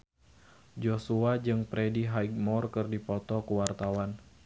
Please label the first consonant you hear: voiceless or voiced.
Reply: voiced